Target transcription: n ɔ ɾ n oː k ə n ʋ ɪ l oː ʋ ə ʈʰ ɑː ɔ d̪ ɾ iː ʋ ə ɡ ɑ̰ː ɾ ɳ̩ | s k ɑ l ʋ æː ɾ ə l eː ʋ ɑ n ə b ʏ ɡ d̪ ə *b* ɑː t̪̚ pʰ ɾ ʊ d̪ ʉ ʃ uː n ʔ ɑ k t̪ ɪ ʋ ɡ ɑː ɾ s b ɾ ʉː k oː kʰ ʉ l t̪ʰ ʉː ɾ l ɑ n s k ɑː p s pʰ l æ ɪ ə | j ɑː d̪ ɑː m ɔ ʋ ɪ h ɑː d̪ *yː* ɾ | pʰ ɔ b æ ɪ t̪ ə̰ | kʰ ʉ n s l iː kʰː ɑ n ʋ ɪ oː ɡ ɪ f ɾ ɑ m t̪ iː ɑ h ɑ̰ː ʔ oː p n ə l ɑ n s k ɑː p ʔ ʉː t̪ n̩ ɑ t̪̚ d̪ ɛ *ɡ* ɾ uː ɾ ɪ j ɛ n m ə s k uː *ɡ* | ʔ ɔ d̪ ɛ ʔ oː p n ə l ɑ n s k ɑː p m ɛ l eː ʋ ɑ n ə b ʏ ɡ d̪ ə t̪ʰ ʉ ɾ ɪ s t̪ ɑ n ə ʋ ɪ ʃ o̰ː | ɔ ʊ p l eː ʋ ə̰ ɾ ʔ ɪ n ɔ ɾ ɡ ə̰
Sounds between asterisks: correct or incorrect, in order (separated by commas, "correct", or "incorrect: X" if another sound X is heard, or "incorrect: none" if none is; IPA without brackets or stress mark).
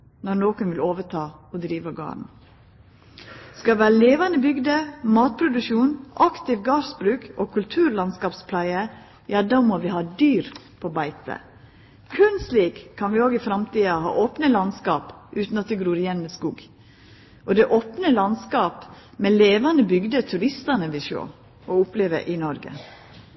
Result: incorrect: m, correct, correct, correct